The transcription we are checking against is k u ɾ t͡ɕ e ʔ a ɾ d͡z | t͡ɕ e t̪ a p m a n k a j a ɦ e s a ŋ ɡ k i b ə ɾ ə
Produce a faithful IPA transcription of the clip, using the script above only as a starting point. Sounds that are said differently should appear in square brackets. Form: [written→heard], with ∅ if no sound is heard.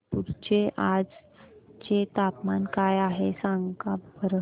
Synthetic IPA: [k→p] u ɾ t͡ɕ e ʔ a [ɾ→∅] d͡z | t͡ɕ e t̪ a p m a n k a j a ɦ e s a ŋ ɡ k [i→a] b ə ɾ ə